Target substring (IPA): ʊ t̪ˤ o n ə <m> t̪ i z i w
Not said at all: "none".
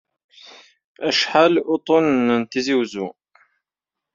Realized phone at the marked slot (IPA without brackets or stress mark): n